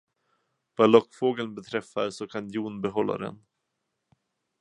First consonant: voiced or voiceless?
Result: voiced